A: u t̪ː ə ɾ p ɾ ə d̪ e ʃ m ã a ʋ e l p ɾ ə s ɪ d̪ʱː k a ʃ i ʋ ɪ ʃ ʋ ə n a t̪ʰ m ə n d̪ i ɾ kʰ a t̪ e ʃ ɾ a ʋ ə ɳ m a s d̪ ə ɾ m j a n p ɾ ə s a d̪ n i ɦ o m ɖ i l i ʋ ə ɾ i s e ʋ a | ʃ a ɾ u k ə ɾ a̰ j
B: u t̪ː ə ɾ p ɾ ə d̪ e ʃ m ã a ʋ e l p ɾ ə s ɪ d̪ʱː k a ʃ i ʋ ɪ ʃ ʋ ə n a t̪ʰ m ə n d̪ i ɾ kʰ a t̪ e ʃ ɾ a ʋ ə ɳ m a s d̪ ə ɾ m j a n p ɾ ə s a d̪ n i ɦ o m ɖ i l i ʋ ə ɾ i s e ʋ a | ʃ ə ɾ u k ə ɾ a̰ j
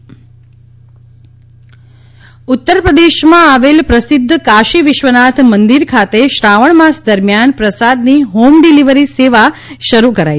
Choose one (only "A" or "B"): B